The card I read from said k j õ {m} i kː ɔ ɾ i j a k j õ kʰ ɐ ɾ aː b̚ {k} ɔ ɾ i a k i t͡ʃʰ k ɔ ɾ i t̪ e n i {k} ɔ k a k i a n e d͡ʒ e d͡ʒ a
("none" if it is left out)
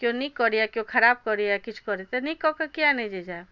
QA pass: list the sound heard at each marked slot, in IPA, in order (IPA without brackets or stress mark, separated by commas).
n, k, k